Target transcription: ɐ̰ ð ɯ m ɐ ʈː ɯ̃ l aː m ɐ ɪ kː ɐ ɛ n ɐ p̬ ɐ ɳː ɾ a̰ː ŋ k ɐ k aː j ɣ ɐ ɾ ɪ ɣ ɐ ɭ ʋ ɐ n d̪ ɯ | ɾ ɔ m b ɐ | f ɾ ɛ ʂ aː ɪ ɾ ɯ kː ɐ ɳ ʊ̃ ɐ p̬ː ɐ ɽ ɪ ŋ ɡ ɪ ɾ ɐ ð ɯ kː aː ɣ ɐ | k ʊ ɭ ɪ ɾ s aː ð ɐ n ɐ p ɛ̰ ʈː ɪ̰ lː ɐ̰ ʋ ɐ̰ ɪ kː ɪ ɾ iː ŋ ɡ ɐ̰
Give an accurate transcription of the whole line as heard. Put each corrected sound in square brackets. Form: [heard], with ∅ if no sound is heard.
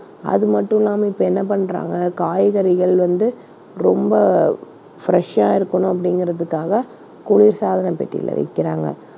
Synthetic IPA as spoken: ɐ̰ ð ɯ m ɐ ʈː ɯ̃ l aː m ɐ ɪ [pː] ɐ ɛ [nː] ɐ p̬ ɐ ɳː ɾ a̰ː ŋ [ɡ] ɐ k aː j ɣ ɐ ɾ ɪ ɣ ɐ ɭ ʋ ɐ n d̪ ɯ | ɾ ɔ m b ɐ | f ɾ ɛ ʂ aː ɪ ɾ ɯ kː ɐ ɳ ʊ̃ ɐ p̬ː ɐ ɽ ɪ ŋ ɡ ɪ ɾ ɐ ð ɯ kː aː ɣ ɐ | k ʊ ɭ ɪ ɾ s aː ð ɐ n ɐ p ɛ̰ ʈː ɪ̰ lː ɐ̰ ʋ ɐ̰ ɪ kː ɪ ɾ [aː] ŋ ɡ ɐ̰